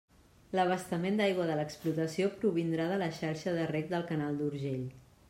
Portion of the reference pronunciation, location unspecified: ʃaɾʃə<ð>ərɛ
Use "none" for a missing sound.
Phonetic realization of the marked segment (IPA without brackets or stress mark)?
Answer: ð